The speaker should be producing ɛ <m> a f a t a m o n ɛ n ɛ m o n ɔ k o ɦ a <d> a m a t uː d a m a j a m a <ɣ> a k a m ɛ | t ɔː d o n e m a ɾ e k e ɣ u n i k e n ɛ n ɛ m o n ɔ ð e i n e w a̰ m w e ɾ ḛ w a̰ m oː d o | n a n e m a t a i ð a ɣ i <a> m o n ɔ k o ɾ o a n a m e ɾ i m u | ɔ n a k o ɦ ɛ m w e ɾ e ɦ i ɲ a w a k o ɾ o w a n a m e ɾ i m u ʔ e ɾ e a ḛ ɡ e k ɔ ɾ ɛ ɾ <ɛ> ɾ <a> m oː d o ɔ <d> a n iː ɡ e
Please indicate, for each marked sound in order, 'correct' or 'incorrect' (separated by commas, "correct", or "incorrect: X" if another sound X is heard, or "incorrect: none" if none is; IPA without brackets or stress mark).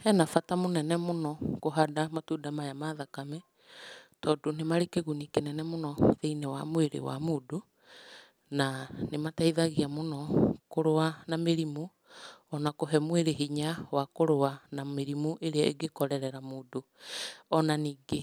incorrect: n, correct, incorrect: ð, correct, correct, correct, incorrect: n